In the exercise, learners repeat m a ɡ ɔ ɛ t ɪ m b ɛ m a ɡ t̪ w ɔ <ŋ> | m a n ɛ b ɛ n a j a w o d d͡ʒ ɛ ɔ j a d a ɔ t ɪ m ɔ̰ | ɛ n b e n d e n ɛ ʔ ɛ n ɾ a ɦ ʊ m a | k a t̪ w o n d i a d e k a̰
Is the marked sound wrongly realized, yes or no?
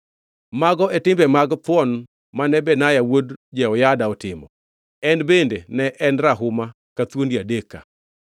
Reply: yes